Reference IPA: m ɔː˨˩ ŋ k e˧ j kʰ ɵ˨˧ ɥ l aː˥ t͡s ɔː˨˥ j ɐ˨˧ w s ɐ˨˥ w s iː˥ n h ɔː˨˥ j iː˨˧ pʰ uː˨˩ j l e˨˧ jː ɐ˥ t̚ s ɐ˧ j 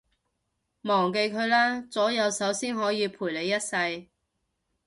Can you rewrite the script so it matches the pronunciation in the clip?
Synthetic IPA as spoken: m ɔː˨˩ ŋ k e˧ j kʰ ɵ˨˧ ɥ l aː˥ t͡s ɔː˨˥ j ɐ˨˧ w s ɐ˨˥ w s iː˥ n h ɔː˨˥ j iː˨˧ pʰ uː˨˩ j l e˨˧ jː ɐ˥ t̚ s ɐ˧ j